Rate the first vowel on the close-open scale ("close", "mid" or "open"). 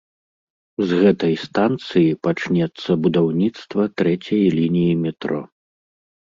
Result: mid